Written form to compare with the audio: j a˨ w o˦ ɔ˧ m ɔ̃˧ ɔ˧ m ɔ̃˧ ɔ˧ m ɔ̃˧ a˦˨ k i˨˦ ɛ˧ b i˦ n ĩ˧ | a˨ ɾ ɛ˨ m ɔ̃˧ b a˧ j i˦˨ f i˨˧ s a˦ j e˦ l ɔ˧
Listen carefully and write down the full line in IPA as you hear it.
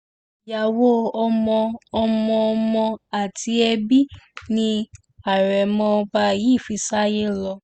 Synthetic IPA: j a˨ w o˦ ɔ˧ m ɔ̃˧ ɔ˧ m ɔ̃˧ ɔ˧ m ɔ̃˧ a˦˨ t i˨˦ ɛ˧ b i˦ n ĩ˧ | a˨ ɾ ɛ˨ m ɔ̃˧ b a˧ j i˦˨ f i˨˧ s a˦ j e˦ l ɔ˧